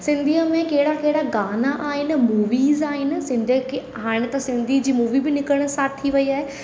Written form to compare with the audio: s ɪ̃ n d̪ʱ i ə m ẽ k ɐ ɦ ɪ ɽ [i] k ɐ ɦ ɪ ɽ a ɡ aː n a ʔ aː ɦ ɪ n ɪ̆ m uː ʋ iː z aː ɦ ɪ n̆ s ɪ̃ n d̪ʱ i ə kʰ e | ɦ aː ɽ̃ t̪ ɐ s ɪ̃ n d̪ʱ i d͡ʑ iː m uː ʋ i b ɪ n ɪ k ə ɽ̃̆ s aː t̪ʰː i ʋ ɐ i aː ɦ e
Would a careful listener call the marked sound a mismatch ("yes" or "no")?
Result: yes